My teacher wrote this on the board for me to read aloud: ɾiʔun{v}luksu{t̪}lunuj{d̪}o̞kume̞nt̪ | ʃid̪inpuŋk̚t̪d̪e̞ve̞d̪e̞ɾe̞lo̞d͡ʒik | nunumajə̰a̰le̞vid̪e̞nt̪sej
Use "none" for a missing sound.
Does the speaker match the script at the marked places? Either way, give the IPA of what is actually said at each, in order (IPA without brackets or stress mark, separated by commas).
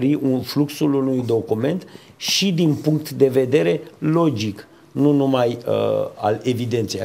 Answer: f, none, d̪